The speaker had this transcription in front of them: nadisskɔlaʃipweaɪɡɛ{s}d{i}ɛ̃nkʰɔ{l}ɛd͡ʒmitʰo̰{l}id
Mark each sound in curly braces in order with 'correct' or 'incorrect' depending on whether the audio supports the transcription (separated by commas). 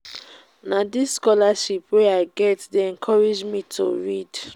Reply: incorrect, incorrect, incorrect, incorrect